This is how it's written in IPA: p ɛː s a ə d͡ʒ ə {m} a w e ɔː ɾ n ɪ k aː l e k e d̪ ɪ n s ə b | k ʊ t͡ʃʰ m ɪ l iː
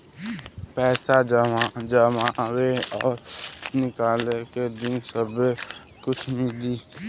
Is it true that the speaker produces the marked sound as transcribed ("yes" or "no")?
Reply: yes